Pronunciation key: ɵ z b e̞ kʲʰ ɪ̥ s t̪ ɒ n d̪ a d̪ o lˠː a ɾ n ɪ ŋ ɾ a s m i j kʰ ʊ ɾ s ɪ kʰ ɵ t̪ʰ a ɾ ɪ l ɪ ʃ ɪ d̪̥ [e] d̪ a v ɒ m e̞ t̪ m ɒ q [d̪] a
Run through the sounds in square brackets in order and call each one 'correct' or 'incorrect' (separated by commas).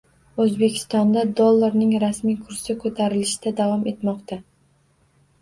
incorrect, incorrect